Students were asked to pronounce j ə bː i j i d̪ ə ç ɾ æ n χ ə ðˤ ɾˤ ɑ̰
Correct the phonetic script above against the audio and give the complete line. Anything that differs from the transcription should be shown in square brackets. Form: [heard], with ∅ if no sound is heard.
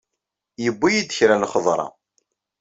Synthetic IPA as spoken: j ə bː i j i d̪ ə ç ɾ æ n χ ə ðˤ ɾˤ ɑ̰